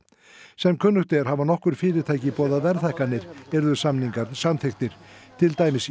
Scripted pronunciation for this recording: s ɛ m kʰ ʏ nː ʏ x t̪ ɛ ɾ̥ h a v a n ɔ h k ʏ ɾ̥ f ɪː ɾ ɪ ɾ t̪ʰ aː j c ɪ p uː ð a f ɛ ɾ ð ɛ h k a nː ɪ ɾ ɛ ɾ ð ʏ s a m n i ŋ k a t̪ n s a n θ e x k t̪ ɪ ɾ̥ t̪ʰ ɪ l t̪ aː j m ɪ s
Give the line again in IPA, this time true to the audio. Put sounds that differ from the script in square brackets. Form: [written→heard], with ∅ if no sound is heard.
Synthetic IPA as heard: s ɛ m kʰ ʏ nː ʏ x t̪ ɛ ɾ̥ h a v a n ɔ h k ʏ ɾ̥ f ɪː ɾ ɪ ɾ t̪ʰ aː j c ɪ p [uː→ɔː] ð a [f→v] ɛ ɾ [ð→θ] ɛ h k a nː ɪ ɾ ɛ ɾ ð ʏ s a m n i ŋ k a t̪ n s a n θ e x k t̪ ɪ ɾ̥ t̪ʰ ɪ l t̪ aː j m ɪ s

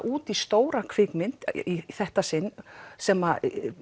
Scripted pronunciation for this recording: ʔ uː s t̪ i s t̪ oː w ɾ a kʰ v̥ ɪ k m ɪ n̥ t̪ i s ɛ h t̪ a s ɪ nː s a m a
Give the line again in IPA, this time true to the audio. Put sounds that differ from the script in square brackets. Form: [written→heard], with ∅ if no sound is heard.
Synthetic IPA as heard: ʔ uː [s→∅] t̪ i s t̪ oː w ɾ a kʰ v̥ ɪ k m ɪ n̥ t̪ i [s→θ] ɛ h t̪ a s ɪ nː s [a→ɛ] m a

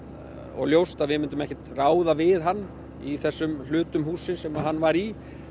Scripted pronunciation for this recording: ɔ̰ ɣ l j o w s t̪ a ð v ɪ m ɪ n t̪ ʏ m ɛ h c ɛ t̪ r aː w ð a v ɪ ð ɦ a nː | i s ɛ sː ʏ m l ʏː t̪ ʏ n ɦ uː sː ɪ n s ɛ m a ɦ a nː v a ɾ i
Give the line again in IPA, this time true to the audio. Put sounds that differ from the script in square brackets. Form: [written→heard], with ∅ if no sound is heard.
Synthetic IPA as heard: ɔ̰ ɣ l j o w s t̪ a ð v ɪ m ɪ n t̪ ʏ m ɛ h c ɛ t̪ r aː w ð a v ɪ ð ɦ a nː | i [s→θ] ɛ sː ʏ m l ʏː t̪ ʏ [n→m] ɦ uː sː ɪ n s ɛ m a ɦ a nː v a ɾ i

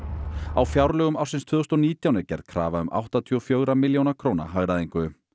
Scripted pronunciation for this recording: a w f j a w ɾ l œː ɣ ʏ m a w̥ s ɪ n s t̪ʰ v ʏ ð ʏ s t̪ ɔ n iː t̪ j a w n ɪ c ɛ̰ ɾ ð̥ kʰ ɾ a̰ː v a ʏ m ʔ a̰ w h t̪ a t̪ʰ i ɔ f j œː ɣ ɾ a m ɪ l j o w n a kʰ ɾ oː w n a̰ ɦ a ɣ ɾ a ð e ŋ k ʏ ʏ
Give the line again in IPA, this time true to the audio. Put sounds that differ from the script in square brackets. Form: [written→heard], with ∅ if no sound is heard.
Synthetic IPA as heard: a w f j a w ɾ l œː ɣ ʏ m a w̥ s ɪ n s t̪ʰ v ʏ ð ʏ s t̪ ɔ n iː t̪ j a w n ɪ c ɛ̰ ɾ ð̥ kʰ ɾ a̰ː v a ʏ m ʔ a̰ w h t̪ a t̪ʰ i ɔ f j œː ɣ ɾ a m ɪ l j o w n a kʰ ɾ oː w n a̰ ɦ a ɣ ɾ a ð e ŋ k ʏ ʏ

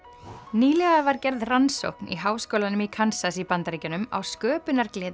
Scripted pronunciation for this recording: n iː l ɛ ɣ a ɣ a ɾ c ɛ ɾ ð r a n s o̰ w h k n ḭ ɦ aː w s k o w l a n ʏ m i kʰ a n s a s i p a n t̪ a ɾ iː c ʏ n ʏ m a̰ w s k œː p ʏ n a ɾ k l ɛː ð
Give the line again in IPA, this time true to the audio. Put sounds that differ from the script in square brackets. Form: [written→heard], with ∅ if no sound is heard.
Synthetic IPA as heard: n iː l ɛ ɣ a [ɣ→v] a ɾ c ɛ ɾ ð r a n s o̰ w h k n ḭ ɦ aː w s k o w l a n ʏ m i kʰ a n s a s i p a n t̪ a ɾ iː c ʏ n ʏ m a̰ w s k œː p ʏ n a ɾ k l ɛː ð

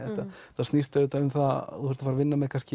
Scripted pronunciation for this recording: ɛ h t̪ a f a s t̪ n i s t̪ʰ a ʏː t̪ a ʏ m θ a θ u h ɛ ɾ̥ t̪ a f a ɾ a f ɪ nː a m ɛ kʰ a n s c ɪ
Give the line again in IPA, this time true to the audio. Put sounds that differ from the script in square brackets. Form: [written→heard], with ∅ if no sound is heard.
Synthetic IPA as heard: ɛ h t̪ a [f→θ] a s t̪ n i s [t̪ʰ→t̪] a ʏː t̪ a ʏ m θ a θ u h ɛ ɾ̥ t̪ a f a ɾ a [f→v] ɪ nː a m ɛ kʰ a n s c ɪ

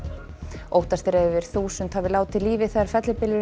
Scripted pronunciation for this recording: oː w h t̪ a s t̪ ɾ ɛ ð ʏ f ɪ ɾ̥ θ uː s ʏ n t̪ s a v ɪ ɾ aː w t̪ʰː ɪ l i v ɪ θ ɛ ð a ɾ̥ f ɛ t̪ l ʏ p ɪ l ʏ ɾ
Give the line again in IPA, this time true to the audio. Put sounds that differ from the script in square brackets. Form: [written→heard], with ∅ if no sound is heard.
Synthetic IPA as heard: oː w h t̪ a s t̪ ɾ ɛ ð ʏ [f→v] ɪ ɾ̥ θ uː s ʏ n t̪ [s→h] a v ɪ [ɾ→l] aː w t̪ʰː ɪ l [i→iː] v ɪ θ ɛ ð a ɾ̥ f ɛ t̪ l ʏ p ɪ l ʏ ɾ

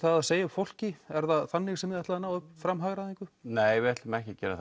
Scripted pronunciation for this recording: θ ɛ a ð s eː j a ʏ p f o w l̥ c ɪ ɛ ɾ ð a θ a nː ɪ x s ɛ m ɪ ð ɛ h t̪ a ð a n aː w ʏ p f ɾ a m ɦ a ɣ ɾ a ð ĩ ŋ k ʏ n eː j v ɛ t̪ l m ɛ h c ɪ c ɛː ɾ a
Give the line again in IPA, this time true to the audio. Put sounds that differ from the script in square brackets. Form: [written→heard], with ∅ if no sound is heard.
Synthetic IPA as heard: θ [ɛ→a] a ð s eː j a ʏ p f o w l̥ c ɪ ɛ ɾ ð a θ a nː ɪ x s ɛ m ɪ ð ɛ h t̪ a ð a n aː w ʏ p f ɾ a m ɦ a ɣ ɾ a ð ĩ ŋ k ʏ n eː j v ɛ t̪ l m ɛ h c ɪ c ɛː ɾ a

